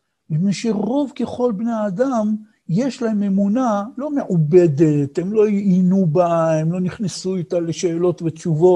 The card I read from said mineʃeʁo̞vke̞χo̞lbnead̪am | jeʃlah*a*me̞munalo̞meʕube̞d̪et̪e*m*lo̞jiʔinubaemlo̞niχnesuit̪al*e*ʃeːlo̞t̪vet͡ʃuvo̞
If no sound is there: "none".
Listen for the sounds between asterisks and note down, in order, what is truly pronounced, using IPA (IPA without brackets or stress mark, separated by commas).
e, m, e